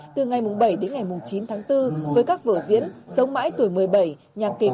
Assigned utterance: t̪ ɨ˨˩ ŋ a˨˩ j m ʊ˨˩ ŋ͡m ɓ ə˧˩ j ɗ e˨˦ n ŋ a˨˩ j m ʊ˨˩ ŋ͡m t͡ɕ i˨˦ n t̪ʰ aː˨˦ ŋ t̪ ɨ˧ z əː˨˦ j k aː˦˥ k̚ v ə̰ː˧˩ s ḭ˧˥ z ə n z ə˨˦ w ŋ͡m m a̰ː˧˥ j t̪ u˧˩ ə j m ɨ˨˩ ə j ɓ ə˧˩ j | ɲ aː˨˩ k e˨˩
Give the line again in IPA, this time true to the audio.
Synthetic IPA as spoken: t̪ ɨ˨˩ ŋ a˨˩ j m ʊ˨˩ ŋ͡m ɓ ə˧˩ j ɗ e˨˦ n ŋ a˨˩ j m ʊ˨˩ ŋ͡m t͡ɕ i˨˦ n t̪ʰ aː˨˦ ŋ t̪ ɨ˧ v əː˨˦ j k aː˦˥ k̚ v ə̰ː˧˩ z ḭ˧˥ ə n s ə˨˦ w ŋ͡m m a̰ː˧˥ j t̪ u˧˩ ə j m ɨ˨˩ ə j ɓ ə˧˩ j | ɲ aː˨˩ k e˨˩